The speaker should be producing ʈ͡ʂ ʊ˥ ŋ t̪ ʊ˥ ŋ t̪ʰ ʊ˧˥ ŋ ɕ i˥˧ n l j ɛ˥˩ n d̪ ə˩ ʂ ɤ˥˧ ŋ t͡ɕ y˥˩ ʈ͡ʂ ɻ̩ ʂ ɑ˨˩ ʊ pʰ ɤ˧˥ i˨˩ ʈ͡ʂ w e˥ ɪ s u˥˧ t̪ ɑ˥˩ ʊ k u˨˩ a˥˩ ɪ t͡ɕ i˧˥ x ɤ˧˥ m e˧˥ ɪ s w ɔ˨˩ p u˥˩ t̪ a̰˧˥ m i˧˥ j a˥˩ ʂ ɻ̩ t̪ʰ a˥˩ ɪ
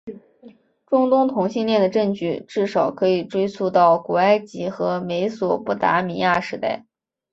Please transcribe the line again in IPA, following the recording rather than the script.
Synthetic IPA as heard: ʈ͡ʂ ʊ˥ ŋ t̪ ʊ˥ ŋ t̪ʰ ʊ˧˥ ŋ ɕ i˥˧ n l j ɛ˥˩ n d̪ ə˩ ʈ͡ʂ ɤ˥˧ ŋ t͡ɕ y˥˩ ʈ͡ʂ ɻ̩ ʂ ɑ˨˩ ʊ kʰ ɤ˧˥ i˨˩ ʈ͡ʂ w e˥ ɪ s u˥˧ t̪ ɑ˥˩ ʊ k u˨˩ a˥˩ ɪ t͡ɕ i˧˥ x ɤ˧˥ m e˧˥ ɪ s w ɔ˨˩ p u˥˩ t̪ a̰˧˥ m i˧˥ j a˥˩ ʂ ɻ̩ t̪ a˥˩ ɪ

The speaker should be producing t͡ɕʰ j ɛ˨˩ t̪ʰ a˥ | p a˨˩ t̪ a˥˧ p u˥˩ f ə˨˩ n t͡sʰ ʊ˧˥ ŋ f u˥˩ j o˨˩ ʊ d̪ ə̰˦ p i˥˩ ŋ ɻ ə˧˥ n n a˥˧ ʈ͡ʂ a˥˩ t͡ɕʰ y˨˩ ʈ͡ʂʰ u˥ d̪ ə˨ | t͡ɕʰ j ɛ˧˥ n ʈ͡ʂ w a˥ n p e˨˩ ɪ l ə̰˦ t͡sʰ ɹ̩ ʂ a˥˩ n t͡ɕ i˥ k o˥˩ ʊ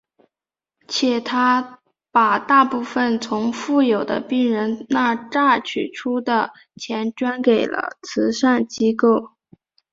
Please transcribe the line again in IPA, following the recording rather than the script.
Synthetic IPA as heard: t͡ɕʰ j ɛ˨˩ t̪ʰ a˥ | p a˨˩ t̪ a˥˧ p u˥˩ f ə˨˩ n t͡sʰ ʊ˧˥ ŋ f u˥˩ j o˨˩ ʊ d̪ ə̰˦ p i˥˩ ŋ ɻ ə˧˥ n n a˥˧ ʈ͡ʂ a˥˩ t͡ɕʰ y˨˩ ʈ͡ʂʰ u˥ d̪ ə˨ | t͡ɕʰ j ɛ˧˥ n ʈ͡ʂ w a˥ n k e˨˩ ɪ l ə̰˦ t͡sʰ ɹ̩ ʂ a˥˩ n t͡ɕ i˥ k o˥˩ ʊ

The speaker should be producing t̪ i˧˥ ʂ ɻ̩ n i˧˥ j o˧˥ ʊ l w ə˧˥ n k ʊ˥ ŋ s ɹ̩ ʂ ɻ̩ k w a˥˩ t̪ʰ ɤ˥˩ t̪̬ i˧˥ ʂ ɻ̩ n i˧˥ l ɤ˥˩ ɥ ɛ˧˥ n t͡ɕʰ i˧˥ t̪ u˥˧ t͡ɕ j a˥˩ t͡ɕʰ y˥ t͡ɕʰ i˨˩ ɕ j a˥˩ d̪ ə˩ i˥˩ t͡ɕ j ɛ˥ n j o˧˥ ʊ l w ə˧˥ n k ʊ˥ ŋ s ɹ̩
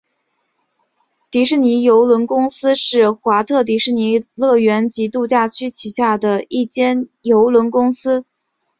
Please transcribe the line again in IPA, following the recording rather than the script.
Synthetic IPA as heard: t̪ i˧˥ ʂ ɻ̩ n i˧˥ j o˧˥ ʊ l w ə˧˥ n k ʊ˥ ŋ s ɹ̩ ʂ ɻ̩ x w a˧˥ t̪ʰ ɤ˥˩ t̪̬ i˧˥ ʂ ɻ̩ n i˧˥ l ɤ˥˩ ɥ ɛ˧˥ n t͡ɕ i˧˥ t̪ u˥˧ t͡ɕ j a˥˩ t͡ɕʰ y˥ t͡ɕʰ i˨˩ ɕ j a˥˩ d̪ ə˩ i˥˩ t͡ɕ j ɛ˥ n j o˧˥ ʊ l w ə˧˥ n k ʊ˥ ŋ s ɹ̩

